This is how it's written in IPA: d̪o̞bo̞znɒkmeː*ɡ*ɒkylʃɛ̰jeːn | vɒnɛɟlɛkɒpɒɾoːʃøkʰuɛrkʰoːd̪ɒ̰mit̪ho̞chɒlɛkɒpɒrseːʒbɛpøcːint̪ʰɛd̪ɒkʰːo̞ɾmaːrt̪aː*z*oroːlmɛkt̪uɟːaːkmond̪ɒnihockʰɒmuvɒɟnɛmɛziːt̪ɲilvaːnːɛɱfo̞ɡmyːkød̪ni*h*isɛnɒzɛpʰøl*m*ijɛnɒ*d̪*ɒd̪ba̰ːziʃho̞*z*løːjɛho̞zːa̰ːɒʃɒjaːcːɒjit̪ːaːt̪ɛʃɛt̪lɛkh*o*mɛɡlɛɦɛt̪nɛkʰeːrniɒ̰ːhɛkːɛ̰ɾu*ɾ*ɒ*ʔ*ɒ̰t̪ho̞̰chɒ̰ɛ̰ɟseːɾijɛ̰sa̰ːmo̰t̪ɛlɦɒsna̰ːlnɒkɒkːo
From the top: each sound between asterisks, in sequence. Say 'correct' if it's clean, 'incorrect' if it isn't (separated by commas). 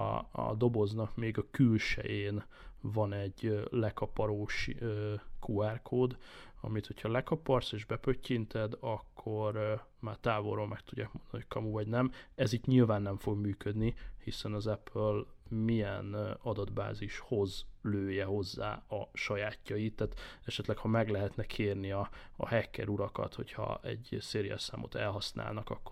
correct, incorrect, correct, correct, correct, correct, incorrect, correct, incorrect